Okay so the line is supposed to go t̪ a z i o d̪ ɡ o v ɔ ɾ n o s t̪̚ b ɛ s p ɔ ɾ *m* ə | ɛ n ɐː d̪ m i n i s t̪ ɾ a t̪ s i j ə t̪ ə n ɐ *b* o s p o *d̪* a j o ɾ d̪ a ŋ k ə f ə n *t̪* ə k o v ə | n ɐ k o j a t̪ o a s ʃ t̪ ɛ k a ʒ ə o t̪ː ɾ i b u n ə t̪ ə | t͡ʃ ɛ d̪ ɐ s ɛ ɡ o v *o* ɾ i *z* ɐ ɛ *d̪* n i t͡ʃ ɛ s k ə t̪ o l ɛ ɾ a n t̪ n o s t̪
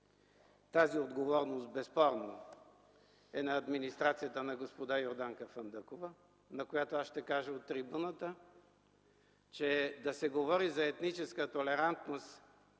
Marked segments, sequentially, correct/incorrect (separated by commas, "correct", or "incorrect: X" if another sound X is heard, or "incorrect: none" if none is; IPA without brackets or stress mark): incorrect: n, incorrect: ɡ, correct, incorrect: d̪, incorrect: ɔ, correct, incorrect: t̪